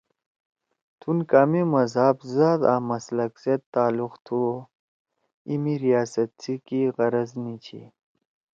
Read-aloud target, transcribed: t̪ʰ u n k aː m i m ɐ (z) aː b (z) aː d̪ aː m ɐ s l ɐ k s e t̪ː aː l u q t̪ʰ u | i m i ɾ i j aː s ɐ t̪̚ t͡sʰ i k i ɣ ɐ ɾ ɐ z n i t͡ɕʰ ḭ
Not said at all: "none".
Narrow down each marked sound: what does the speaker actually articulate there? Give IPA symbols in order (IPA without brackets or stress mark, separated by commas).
z, z